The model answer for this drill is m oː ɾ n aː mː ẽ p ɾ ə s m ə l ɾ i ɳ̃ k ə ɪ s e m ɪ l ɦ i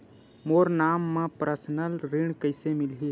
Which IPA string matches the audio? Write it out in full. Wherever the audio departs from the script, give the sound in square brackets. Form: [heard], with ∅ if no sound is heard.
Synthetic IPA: m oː ɾ n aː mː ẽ p ɾ ə s [n] ə l ɾ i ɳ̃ k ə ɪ s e m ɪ l ɦ i

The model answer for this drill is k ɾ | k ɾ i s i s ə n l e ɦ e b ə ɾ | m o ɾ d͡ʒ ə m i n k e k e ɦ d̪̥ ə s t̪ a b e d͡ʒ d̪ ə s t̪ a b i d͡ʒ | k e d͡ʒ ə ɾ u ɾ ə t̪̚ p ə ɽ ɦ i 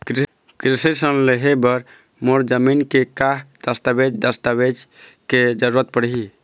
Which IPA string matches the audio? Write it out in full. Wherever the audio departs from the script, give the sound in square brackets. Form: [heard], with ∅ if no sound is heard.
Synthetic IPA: k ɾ | k ɾ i s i s ə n l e ɦ e b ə ɾ | m o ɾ d͡ʒ ə m i n k e k [a] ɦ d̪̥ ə s t̪ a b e d͡ʒ d̪ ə s t̪ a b [e] d͡ʒ | k e d͡ʒ ə ɾ u ɾ ə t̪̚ p ə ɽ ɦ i

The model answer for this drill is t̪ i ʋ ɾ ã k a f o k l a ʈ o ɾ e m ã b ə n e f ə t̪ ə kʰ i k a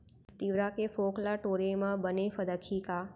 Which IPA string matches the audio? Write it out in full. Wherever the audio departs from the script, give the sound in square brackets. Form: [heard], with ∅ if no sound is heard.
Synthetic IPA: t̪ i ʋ ɾ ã k [e] f o k l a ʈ o ɾ e m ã b ə n e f ə [d̪] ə kʰ i k a

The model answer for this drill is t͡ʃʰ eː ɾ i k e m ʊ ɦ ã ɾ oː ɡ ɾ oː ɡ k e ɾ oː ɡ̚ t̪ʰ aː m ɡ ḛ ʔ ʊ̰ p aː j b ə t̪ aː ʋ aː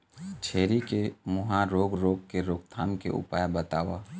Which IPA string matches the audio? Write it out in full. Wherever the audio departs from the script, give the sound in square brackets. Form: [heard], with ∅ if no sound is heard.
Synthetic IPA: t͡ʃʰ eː ɾ i k e m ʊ ɦ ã ɾ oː ɡ ɾ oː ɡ k e ɾ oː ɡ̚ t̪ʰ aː m [k] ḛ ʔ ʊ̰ p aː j b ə t̪ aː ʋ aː

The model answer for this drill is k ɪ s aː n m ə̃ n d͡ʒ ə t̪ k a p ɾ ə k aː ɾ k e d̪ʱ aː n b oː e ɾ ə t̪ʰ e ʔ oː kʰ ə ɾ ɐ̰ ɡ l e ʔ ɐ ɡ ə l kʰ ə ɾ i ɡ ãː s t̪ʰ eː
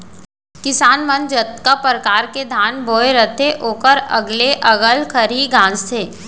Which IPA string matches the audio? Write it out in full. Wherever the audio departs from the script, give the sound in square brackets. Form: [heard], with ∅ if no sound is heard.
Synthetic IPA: k ɪ s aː n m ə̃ n d͡ʒ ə t̪ k a p ɾ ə k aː ɾ k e d̪ʱ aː n b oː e ɾ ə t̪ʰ e ʔ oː [k] ə ɾ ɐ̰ ɡ l e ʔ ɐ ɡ ə l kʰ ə ɾ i ɡ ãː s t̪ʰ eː

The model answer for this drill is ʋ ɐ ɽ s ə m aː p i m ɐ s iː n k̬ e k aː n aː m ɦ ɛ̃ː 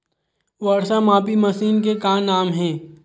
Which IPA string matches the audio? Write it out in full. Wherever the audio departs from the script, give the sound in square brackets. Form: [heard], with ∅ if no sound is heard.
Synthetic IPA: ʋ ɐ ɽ s [a] m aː p i m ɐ s iː n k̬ e k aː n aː m ɦ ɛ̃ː

